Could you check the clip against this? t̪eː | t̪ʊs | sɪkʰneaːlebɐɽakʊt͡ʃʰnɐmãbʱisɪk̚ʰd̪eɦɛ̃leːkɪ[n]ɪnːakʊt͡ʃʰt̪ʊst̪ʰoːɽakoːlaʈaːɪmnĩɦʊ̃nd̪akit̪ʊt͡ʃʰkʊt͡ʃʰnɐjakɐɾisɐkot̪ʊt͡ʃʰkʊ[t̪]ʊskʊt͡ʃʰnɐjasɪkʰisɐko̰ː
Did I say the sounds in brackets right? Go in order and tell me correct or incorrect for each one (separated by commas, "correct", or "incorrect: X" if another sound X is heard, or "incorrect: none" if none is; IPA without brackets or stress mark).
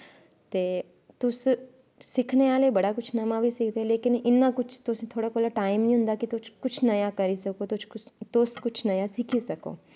correct, correct